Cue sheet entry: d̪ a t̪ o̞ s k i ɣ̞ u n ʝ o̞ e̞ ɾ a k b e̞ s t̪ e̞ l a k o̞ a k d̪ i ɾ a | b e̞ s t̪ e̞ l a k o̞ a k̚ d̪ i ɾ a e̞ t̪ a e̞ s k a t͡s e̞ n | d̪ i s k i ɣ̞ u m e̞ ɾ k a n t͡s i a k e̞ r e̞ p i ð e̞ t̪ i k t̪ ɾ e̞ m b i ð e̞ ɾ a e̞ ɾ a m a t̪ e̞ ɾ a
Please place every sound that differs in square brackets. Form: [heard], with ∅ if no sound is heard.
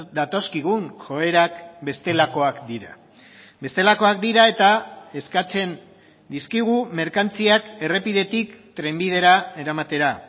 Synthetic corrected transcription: d̪ a t̪ o̞ s k i ɣ̞ u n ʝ o̞ e̞ ɾ a k b e̞ s t̪ e̞ l a k o̞ a k d̪ i ɾ a | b e̞ s t̪ e̞ l a k o̞ a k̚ d̪ i ɾ a e̞ t̪ a e̞ s k a t͡s e̞ n | d̪ i s k i ɣ̞ u m e̞ ɾ k a n t͡s i a k e̞ r e̞ p i ð e̞ t̪ i k t̪ ɾ e̞ m b i ð e̞ ɾ a e̞ ɾ a m a t̪ e̞ ɾ a